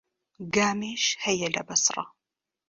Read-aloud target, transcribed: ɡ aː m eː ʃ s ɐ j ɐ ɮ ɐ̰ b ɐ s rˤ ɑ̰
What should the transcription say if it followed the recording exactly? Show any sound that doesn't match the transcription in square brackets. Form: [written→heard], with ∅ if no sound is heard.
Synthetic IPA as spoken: ɡ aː m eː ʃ [s→h] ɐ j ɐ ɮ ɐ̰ b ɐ s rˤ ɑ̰